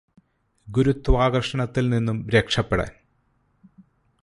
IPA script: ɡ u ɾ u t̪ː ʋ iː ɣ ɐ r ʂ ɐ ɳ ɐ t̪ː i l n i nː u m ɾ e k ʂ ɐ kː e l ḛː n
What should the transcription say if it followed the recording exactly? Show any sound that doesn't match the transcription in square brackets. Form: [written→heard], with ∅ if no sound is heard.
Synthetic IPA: ɡ u ɾ u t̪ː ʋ [iː→aː] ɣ ɐ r ʂ ɐ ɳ ɐ t̪ː i l n i nː u m ɾ e k ʂ ɐ [kː→pː] e [l→ɽ] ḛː n

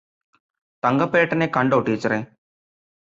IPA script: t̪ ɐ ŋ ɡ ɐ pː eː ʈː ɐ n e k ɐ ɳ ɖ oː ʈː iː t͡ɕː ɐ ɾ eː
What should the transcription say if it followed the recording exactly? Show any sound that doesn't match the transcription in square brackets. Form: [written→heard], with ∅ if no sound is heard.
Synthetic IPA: t̪ ɐ ŋ ɡ ɐ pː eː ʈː ɐ n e k ɐ ɳ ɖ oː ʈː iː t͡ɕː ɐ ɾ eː

